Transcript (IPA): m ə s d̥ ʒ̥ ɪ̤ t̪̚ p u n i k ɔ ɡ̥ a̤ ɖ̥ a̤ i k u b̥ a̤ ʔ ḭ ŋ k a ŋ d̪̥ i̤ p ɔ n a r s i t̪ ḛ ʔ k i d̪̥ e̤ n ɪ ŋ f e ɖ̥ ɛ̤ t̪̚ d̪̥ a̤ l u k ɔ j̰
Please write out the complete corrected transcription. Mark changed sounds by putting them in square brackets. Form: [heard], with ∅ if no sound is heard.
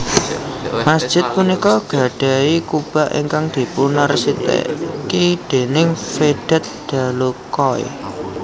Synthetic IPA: m [a] s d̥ ʒ̥ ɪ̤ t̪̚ p u n i k ɔ ɡ̥ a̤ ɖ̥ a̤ i k u b̥ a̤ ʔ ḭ ŋ k a ŋ d̪̥ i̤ p [u] n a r s i t̪ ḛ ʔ k i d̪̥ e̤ n ɪ ŋ f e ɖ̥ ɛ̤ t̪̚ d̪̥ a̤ l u k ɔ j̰